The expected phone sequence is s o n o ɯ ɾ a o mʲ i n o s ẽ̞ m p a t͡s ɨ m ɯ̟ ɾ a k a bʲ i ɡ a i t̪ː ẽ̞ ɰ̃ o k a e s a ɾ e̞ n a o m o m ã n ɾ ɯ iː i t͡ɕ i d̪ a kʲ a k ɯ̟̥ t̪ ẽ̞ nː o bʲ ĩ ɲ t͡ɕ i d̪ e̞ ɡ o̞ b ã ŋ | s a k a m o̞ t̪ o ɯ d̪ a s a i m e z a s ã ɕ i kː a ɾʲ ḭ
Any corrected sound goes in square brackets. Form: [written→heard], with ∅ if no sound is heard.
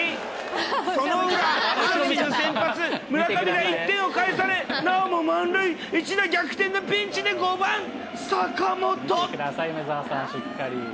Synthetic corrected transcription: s o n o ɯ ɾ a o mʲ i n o s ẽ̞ m p a t͡s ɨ m ɯ̟ ɾ a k a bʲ i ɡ a i t̪ː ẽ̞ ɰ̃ o k a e s a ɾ e̞ n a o m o m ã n ɾ ɯ [iː→i] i t͡ɕ i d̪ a [kʲ→ɡʲ] a k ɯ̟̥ t̪ ẽ̞ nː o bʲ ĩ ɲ t͡ɕ i d̪ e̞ ɡ o̞ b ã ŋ | s a k a m o̞ t̪ o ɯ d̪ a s a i m e z a s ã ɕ i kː a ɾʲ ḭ